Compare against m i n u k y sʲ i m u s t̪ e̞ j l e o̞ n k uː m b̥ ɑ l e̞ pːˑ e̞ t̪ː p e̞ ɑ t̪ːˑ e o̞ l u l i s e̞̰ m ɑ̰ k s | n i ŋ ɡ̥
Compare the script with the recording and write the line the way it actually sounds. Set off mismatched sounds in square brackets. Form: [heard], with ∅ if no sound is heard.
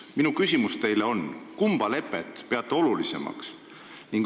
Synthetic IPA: m i n u k y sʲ i m u s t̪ e̞ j l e o̞ n k [u] m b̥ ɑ l e̞ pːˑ e̞ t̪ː p e̞ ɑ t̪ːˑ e o̞ l u l i s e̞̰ m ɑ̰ k s | n i ŋ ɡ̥